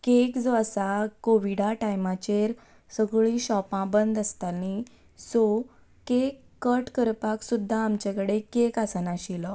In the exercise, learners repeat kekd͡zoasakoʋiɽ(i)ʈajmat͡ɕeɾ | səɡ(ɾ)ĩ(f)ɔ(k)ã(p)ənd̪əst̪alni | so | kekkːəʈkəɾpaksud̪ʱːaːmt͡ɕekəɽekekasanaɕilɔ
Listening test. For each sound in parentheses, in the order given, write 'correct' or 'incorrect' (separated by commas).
incorrect, incorrect, incorrect, incorrect, incorrect